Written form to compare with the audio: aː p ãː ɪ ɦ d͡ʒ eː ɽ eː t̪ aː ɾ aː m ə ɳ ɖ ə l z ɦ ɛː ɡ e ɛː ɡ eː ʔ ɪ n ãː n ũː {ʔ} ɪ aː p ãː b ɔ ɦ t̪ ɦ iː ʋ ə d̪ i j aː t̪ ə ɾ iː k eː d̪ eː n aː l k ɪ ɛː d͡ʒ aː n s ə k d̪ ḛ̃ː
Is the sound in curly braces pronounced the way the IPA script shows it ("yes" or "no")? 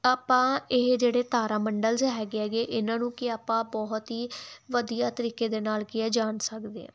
no